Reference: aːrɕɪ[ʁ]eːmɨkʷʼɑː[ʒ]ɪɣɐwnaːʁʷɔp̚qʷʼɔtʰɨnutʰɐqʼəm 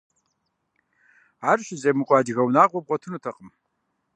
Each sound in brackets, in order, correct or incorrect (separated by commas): incorrect, incorrect